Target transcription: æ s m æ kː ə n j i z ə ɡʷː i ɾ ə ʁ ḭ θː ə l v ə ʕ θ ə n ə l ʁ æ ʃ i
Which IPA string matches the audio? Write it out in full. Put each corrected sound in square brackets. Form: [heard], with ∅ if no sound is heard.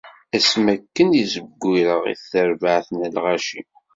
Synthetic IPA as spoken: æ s m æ kː ə n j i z ə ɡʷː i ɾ ə ʁ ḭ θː ə [ɾ] v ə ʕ θ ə n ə l ʁ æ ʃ i